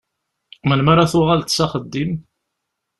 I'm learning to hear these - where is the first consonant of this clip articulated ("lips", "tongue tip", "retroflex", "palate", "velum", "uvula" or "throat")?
lips